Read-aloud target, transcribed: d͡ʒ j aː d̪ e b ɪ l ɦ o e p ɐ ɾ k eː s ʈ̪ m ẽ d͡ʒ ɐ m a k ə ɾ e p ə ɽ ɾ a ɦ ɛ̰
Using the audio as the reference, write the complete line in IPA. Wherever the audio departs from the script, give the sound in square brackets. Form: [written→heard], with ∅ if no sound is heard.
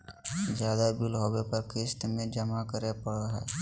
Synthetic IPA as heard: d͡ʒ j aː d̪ [e→a] b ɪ l ɦ o e p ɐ ɾ k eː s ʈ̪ m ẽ d͡ʒ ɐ m a k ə ɾ e p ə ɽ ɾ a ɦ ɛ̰